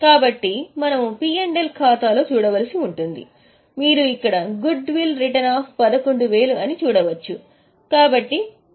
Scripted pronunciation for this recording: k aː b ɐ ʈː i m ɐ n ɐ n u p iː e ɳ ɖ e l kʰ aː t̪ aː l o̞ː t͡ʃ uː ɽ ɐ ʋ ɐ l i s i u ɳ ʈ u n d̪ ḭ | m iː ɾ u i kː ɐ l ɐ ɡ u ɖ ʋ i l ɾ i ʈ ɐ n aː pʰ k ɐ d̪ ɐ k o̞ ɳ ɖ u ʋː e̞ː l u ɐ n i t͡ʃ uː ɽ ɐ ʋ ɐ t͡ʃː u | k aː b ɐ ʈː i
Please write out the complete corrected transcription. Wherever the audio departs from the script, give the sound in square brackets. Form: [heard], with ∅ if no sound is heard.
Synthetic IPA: k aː b ɐ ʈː i m ɐ n ɐ [m] u p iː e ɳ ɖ e l kʰ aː t̪ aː l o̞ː t͡ʃ uː ɽ ɐ ʋ ɐ l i s i u ɳ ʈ u n d̪ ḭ | m iː ɾ u i kː ɐ [ɽ] ɐ ɡ u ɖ ʋ i l ɾ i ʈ ɐ n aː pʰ [p] ɐ d̪ ɐ k o̞ ɳ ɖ u [ʋ] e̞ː l u ɐ n i t͡ʃ uː ɽ ɐ ʋ ɐ t͡ʃː u | k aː b ɐ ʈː i

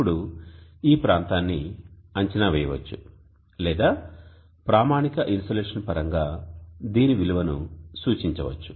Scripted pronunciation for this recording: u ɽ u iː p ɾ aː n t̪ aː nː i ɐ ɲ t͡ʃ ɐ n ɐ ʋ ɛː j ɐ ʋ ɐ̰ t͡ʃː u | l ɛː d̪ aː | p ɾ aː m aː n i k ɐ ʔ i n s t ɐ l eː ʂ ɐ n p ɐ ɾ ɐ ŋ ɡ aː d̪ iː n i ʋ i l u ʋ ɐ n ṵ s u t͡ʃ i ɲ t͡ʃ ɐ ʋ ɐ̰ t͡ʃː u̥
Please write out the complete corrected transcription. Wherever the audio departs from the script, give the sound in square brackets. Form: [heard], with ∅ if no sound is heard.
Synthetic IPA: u ɽ u iː p ɾ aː n t̪ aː nː i ɐ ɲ t͡ʃ ɐ n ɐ ʋ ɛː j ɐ ʋ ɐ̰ t͡ʃː u | l ɛː d̪ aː | p ɾ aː m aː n i k ɐ ʔ i n s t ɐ l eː ʂ ɐ n p ɐ ɾ ɐ ŋ ɡ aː d̪ iː n i ʋ i l u ʋ ɐ n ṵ s [uː] t͡ʃ i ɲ t͡ʃ ɐ ʋ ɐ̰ t͡ʃː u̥

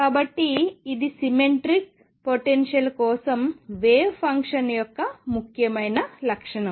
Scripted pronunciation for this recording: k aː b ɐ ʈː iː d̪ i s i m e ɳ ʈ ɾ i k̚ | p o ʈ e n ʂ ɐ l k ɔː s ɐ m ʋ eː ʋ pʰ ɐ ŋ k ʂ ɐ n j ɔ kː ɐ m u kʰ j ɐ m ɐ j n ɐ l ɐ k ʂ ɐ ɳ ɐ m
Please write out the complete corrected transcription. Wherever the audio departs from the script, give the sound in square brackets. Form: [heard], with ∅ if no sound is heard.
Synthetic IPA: k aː b ɐ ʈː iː d̪ i s i m e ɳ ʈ ɾ i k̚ | p o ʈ e n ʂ ɐ l k ɔː s ɐ m ʋ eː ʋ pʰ ɐ ŋ k ʂ ɐ n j ɔ kː ɐ m u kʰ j ɐ m ɐ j n ɐ l ɐ k ʂ ɐ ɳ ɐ m

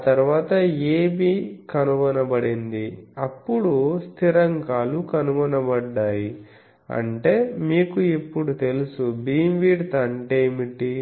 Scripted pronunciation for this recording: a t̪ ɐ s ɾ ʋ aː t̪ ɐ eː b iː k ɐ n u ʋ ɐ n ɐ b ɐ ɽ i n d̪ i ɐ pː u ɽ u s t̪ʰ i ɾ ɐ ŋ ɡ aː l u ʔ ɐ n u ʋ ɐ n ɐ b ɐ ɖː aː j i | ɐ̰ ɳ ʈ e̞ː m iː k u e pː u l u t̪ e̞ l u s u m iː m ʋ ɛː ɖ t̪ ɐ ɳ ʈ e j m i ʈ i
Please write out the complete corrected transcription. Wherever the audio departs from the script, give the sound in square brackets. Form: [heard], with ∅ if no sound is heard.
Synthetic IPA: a t̪ ɐ [∅] ɾ ʋ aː t̪ ɐ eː b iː k ɐ n u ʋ ɐ n ɐ b ɐ ɽ i n d̪ i ɐ pː u ɽ u s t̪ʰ i ɾ ɐ ŋ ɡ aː l u [k] ɐ n u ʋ ɐ n ɐ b ɐ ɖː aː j i | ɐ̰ ɳ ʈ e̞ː m iː k u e pː u [ɽ] u t̪ e̞ l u s u [b] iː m ʋ [iː] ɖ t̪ ɐ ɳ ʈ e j m i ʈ i

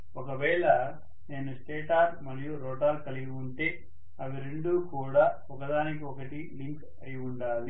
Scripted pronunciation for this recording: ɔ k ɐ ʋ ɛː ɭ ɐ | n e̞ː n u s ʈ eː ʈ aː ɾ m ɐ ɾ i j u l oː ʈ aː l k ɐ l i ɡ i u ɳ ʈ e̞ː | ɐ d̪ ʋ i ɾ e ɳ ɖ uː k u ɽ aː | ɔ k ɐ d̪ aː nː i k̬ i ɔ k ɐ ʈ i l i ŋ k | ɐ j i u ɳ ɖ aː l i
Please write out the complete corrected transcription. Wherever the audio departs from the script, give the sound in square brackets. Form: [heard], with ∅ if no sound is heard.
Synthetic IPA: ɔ k ɐ ʋ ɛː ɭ ɐ | n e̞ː n u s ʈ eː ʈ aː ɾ m ɐ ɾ i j u [ɾ] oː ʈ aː l k ɐ l i ɡ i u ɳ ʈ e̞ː | ɐ [∅] ʋ i ɾ e ɳ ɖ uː k [uː] ɽ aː | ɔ k ɐ d̪ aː [n] i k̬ i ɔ k ɐ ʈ i l i ŋ k | ɐ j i u ɳ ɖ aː l i

